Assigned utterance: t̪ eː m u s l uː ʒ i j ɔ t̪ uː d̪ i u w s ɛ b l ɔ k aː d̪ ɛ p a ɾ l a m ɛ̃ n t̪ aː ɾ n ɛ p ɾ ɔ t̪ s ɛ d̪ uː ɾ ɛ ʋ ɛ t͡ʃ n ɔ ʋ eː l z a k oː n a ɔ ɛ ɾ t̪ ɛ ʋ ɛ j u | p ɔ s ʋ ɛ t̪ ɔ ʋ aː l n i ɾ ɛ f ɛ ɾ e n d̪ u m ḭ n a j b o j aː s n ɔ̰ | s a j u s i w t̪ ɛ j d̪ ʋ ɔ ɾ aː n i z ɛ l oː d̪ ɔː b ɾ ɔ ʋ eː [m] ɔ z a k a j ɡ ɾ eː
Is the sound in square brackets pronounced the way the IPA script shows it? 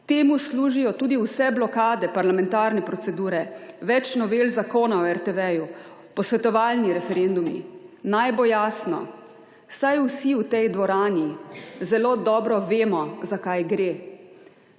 yes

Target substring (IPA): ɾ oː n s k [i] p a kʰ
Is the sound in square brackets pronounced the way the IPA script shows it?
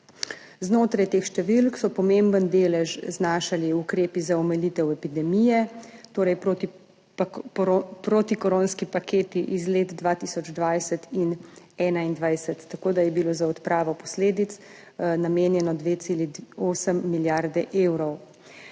yes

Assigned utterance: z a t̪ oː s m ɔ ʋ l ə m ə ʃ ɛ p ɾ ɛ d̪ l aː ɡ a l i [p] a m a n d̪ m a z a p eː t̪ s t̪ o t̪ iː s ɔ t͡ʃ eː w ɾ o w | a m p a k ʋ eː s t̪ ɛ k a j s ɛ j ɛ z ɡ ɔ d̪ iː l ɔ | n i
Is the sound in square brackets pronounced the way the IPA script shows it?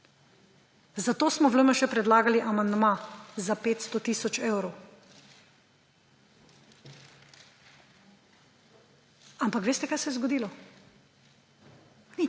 no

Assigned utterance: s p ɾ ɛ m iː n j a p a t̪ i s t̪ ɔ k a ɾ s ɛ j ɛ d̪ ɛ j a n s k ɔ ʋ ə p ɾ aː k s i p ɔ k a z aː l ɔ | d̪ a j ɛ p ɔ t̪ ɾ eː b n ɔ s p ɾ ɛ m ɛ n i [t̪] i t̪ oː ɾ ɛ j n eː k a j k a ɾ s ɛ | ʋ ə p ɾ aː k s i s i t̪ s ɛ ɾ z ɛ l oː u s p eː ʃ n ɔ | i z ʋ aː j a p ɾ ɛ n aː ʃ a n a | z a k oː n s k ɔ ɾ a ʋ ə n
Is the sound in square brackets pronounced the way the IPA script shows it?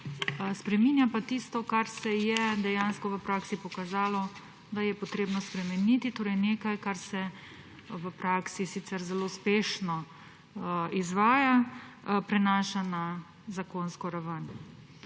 yes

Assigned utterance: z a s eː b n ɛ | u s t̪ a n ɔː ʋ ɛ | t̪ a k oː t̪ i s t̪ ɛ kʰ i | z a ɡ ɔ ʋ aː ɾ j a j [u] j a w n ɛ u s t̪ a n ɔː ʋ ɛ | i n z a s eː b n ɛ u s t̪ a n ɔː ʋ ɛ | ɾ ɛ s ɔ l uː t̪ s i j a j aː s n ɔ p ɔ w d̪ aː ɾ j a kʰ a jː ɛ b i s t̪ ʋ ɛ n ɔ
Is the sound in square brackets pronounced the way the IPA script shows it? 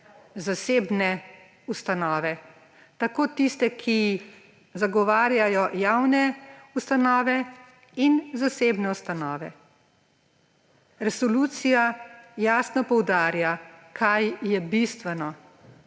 no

